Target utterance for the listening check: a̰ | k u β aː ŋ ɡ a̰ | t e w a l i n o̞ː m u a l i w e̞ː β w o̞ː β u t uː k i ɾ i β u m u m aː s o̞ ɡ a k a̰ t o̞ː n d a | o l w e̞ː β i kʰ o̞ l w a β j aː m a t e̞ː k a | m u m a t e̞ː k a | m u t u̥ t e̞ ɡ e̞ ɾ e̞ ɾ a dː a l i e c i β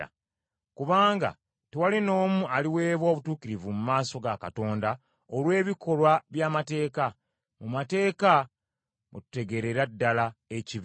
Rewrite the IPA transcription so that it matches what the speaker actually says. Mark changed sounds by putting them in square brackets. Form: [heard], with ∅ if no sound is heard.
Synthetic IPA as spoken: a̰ | k u β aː ŋ ɡ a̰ | t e w a l i n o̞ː m u a l i w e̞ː β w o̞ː β u t uː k i ɾ i [v] u m u m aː s o̞ ɡ a k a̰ t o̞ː n d a | o l w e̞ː β i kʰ o̞ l w a β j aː m a t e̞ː k a | m u m a t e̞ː k a | m u t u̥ t e̞ ɡ e̞ ɾ e̞ ɾ a dː a l [a] e c i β

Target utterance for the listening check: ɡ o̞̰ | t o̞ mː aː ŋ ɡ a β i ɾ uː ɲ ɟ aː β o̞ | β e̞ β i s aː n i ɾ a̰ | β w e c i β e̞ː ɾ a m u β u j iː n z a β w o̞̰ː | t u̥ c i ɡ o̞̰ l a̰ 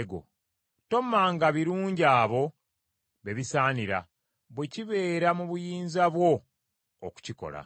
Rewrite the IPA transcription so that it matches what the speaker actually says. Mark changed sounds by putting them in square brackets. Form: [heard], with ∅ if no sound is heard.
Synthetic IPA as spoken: ɡ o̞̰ | t o̞ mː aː ŋ ɡ a β i ɾ uː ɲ ɟ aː β o̞ | β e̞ β i s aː n i ɾ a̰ | β w e c i β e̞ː ɾ a m u β u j iː n z a β w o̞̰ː | [k] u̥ c i [k] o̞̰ l a̰

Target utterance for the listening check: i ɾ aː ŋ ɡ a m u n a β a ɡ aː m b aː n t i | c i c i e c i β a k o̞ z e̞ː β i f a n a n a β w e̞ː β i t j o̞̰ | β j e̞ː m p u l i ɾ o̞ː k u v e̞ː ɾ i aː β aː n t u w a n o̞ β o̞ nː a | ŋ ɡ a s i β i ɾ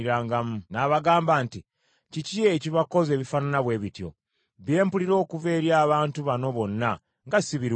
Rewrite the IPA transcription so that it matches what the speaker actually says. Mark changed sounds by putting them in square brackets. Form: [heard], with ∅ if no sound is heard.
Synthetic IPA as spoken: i ɾ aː ŋ ɡ a m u n a β a ɡ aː m b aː n t i | c i c i e c i β a k o̞ z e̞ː β i f a n a n a β w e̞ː β i t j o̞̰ | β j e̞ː m p u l i ɾ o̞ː k u v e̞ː ɾ [j] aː β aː n t u [β] a n o̞ β o̞ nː a | ŋ ɡ a s i β i ɾ

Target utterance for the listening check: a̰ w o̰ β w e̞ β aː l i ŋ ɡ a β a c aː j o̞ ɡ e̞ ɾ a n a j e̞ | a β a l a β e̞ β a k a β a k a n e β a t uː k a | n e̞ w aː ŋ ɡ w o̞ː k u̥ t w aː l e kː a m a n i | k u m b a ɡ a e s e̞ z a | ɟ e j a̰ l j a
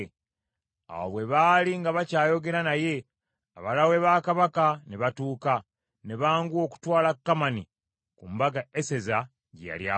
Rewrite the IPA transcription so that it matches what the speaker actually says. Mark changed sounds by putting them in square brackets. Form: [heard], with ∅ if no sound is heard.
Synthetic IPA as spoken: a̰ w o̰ β w e̞ β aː l i ŋ ɡ a β a c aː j o̞ ɡ e̞ ɾ a n a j e̞ | a β a l a [w] e̞ β a k a β a k a n e β a t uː k a | n e̞ [β] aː ŋ ɡ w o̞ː k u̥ t w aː l [a] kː a m a n i | k u m b a ɡ a e s e̞ z a | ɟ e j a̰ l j a

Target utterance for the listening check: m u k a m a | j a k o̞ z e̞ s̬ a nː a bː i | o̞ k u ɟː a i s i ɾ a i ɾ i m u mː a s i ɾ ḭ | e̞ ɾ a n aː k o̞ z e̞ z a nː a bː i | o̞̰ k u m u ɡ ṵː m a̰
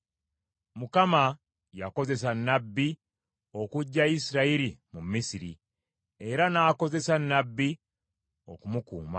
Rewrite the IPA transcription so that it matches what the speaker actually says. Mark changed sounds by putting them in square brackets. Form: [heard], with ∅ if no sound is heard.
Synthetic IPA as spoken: m u k a m a | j a k o̞ z e̞ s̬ a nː a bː i | o̞ k u ɟː a i s i ɾ a i ɾ i m u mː [i] s i ɾ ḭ | e̞ ɾ a n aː k o̞ z e̞ [s] a nː a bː i | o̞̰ k u m u [k] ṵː m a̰

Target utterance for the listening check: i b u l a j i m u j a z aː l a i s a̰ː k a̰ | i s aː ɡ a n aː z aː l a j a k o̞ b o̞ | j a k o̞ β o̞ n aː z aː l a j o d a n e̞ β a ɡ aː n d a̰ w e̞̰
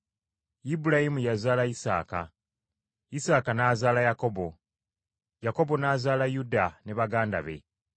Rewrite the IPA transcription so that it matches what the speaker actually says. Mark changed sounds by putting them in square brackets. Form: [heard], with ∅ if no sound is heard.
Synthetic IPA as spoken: i b u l a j i m u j a z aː l a i s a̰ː k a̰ | i s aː [k] a n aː z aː l a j a k o̞ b o̞ | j a k o̞ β o̞ n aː z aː l a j [u] d a n e̞ β a ɡ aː n d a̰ [β] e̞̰

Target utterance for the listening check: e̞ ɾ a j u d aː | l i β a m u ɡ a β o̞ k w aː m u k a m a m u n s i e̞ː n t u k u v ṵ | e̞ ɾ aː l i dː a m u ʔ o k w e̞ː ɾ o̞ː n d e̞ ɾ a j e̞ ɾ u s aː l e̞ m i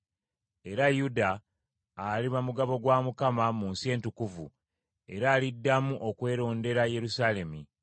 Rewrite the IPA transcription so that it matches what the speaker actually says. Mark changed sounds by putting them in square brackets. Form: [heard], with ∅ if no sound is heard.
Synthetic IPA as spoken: e̞ ɾ a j u d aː | l i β a m u ɡ a β o̞ [ɡ] w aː m u k a m a m u n s i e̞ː n t u k u v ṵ | e̞ ɾ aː l i dː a m u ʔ o k w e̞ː ɾ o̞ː n d e̞ ɾ a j e̞ ɾ u s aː l e̞ m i

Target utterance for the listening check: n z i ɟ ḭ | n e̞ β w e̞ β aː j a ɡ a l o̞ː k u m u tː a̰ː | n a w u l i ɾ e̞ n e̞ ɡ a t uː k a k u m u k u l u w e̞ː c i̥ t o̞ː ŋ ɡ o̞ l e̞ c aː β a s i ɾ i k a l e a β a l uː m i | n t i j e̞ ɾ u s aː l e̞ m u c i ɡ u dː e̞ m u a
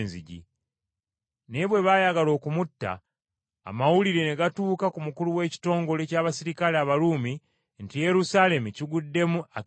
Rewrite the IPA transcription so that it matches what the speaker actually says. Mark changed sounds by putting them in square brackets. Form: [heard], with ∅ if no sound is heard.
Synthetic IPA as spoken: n z i ɟ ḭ | n e̞ β w e̞ β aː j a ɡ a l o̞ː k u m u tː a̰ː | [m] a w u l i ɾ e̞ n e̞ ɡ a t uː k a k u m u k u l u w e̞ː c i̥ t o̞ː ŋ ɡ o̞ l e̞ c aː β a s i ɾ i k a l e a β a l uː m i | n t i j e̞ ɾ u s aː l e̞ m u c i ɡ u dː e̞ m u a

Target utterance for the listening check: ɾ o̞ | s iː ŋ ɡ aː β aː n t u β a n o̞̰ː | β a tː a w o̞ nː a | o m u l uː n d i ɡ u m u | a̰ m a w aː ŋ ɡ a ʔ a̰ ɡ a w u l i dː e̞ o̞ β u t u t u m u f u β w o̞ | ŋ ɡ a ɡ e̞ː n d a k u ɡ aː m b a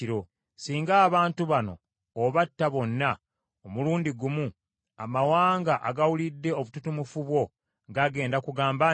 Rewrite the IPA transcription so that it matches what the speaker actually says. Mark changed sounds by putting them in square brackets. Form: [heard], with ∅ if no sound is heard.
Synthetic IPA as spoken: ɾ o̞ | s iː ŋ ɡ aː β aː n t u β a n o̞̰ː | β a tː a [β] o̞ nː a | o m u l uː n d i ɡ u m u | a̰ m a w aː ŋ ɡ a ʔ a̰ ɡ a w u l i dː e̞ o̞ β u t u t u m u f u β w o̞ | ŋ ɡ a ɡ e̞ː n d a k u ɡ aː m b a

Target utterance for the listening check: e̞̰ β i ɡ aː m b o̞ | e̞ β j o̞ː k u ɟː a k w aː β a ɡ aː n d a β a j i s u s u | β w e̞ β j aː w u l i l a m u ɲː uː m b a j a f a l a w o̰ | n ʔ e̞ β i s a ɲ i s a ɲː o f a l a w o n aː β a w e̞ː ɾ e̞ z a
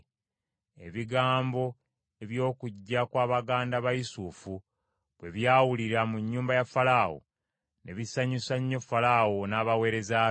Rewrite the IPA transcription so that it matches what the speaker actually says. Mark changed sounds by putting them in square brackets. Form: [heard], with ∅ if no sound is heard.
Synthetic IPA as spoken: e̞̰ β i ɡ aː m b o̞ | e̞ β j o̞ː k u ɟː a k w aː β a ɡ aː n d a β a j i s u [f] u | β w e̞ β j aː w u l i [ɾ] a m u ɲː uː m b a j a f a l a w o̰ | n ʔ e̞ β i s a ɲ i s a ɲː o f a l a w o n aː β a w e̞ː ɾ e̞ z a

